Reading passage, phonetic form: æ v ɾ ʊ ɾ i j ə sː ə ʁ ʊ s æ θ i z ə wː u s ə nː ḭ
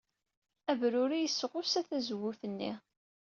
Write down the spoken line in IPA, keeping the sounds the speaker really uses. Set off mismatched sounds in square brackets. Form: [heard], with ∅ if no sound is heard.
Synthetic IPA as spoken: æ v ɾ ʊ ɾ i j ə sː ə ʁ ʊ s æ θ [æ] z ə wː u [θ] ə nː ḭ